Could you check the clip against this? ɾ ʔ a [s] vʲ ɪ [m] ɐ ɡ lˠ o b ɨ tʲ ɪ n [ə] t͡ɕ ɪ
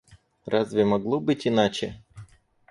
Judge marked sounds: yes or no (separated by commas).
no, yes, no